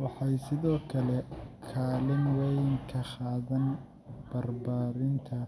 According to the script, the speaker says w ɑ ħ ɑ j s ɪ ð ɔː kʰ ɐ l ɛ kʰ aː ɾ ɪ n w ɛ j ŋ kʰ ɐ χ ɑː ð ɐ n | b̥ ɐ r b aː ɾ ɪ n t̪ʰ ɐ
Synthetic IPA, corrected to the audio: w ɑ ħ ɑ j s ɪ ð ɔː kʰ ɐ l ɛ kʰ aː l ɪ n w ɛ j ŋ kʰ ɐ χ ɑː ð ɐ n | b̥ ɐ r b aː ɾ ɪ n t̪ʰ ɐ